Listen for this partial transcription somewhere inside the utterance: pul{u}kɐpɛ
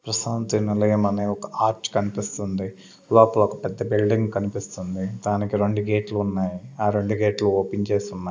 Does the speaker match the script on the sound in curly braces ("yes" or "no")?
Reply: no